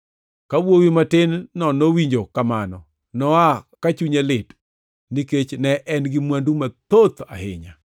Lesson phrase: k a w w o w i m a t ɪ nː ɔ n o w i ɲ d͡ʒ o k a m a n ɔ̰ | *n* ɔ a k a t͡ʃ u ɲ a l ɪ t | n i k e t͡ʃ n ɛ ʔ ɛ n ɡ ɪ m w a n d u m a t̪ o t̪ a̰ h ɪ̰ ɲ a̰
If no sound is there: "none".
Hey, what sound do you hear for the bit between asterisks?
n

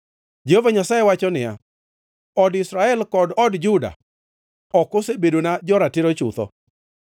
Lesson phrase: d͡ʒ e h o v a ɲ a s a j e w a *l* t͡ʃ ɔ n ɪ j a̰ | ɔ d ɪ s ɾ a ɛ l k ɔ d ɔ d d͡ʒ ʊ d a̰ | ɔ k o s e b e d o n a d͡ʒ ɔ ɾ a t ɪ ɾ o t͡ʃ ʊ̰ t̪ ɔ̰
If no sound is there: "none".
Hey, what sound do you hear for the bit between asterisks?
none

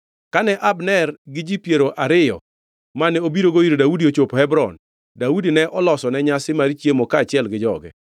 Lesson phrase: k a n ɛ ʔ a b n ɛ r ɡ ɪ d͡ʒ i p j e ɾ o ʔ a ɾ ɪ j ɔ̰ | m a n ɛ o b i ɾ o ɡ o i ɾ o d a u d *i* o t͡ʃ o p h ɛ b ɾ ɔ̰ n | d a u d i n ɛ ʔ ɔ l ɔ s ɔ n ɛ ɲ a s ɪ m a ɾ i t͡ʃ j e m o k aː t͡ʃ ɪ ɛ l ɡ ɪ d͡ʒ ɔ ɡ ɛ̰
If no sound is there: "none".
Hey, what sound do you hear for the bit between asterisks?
i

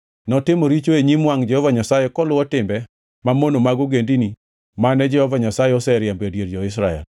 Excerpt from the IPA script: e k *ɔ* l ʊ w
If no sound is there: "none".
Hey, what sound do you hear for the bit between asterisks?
ɔ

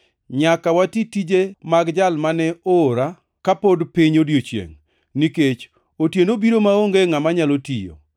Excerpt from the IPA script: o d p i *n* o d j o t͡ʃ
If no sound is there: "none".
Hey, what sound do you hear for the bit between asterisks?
ɲ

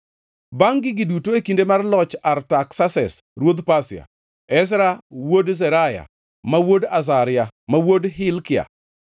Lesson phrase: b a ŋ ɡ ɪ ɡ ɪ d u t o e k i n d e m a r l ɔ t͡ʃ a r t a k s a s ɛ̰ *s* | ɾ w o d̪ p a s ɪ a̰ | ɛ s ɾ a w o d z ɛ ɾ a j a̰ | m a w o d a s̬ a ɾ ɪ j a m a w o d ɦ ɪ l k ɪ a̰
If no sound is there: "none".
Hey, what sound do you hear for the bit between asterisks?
s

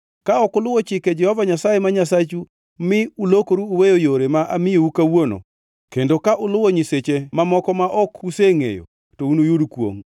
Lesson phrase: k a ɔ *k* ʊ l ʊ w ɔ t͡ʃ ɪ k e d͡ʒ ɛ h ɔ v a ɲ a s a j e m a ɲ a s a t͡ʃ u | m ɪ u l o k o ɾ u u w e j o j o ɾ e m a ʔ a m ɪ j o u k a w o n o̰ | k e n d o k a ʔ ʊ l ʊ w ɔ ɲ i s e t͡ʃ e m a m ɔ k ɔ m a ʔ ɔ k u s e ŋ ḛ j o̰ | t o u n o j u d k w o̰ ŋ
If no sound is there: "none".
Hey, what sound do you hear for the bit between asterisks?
k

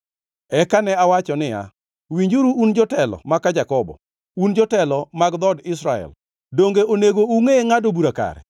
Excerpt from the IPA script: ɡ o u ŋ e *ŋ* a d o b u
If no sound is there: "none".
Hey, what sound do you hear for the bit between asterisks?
ŋ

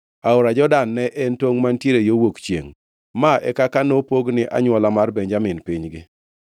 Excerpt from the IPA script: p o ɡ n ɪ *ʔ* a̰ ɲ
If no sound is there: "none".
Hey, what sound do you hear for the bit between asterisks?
ʔ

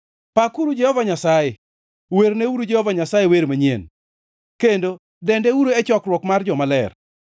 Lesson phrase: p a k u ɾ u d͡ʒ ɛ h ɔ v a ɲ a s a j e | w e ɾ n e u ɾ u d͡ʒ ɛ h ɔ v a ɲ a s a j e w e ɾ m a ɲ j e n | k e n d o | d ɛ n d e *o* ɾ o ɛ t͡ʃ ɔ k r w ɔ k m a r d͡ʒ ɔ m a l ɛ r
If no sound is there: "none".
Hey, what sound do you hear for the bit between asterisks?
u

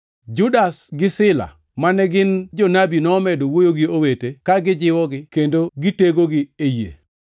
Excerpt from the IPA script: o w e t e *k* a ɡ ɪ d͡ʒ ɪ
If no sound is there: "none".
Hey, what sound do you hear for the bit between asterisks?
k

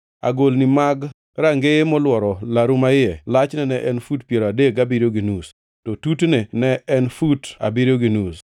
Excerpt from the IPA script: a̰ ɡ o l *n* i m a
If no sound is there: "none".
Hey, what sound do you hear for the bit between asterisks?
n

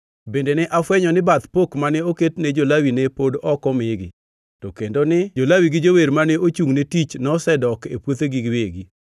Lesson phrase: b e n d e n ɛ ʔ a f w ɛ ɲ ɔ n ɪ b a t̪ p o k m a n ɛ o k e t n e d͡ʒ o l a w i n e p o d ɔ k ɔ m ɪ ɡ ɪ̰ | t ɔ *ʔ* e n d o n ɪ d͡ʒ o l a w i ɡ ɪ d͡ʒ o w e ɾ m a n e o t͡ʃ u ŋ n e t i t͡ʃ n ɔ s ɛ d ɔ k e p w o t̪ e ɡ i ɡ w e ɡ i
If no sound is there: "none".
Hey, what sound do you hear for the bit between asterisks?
k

